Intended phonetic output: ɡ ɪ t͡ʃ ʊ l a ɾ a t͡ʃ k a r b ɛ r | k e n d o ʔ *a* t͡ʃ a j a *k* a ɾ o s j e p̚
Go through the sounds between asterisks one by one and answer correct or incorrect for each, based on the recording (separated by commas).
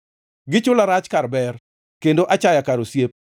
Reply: correct, correct